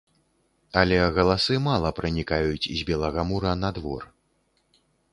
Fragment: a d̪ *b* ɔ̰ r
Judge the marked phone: incorrect: v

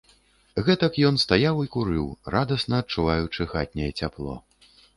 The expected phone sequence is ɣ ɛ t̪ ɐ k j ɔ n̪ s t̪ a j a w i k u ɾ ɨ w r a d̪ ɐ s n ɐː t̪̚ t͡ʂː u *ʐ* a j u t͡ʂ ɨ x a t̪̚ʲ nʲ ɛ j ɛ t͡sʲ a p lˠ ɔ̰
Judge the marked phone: incorrect: v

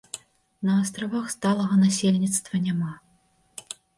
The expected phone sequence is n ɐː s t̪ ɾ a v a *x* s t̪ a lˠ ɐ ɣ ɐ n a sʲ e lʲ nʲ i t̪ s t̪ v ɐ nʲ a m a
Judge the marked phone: correct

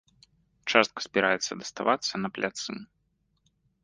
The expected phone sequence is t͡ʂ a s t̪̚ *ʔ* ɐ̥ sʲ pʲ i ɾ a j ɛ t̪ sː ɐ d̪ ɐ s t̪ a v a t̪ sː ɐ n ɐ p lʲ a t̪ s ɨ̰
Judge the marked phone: incorrect: k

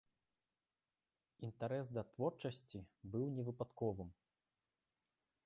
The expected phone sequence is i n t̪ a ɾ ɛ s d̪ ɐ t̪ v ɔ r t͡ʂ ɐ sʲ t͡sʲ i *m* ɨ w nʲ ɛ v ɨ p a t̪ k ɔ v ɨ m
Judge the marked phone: incorrect: b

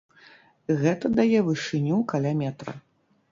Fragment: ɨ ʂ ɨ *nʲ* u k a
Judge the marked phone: correct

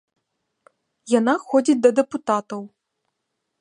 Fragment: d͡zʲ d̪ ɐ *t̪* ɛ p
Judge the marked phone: incorrect: d̪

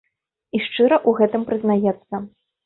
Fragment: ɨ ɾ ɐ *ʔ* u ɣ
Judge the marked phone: correct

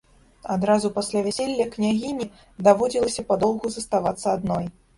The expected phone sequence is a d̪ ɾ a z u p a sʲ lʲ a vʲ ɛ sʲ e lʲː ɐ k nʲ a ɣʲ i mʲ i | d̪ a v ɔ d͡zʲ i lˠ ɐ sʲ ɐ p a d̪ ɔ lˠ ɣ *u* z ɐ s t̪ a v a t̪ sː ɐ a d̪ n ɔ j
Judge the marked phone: correct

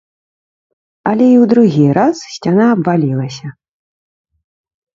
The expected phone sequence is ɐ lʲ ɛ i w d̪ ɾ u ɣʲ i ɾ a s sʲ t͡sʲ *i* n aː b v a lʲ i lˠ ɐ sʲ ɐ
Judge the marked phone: incorrect: a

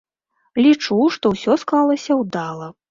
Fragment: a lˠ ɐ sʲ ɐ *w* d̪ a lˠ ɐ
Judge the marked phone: correct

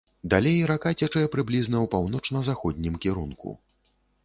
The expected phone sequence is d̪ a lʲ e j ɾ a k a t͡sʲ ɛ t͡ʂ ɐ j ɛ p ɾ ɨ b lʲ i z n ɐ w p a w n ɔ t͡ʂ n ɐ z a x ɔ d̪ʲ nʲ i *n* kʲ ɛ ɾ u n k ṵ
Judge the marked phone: incorrect: m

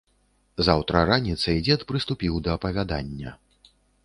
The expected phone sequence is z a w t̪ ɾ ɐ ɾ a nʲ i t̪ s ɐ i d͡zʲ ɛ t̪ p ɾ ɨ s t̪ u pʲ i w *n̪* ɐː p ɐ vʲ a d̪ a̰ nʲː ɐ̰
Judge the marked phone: incorrect: d̪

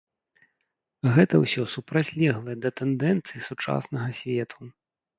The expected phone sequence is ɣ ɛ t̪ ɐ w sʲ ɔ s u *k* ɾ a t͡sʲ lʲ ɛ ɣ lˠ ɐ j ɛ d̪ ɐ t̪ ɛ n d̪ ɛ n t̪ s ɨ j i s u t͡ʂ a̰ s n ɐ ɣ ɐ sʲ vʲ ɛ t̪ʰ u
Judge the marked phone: incorrect: p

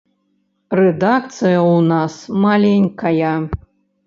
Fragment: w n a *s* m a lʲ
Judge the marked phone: correct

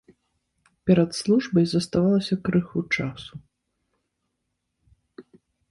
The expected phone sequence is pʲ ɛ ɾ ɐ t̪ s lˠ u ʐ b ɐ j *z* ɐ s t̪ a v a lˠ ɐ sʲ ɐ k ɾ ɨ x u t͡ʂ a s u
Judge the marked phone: correct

